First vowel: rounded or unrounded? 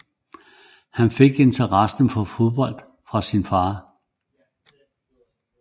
unrounded